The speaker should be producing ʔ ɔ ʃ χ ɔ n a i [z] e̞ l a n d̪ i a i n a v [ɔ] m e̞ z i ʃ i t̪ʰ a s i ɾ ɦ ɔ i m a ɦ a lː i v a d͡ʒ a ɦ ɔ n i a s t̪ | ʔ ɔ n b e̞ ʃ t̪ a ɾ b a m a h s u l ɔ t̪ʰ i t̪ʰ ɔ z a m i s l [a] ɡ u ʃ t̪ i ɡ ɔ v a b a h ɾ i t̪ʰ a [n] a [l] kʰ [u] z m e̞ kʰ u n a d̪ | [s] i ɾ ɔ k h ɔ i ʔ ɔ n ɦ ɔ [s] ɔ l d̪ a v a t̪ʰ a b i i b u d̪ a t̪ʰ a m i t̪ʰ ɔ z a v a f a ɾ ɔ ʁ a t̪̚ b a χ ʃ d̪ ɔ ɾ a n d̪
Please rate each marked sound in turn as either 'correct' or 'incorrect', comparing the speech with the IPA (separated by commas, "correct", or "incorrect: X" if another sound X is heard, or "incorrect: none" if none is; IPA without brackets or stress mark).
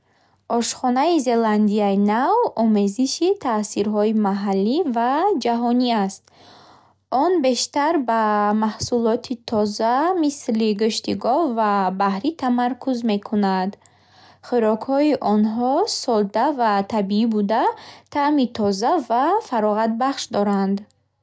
correct, correct, incorrect: i, incorrect: m, incorrect: ɾ, correct, incorrect: χ, correct